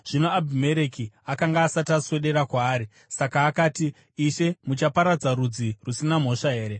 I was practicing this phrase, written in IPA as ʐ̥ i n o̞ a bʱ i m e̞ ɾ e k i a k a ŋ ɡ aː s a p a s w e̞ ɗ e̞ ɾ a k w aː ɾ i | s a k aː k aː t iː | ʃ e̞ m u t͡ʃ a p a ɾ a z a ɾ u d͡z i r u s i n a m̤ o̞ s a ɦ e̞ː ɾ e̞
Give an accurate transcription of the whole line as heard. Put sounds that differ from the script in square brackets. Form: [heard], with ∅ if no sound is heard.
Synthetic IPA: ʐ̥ i n o̞ a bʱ i m e̞ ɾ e k i a k a ŋ ɡ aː s a [t] a s w e̞ ɗ e̞ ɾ a k w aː ɾ i | s a k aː k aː t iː | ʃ e̞ m u t͡ʃ a p a ɾ a [d͡z] a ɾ u d͡z i r u s i n a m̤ o̞ [ʂ] a ɦ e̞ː ɾ e̞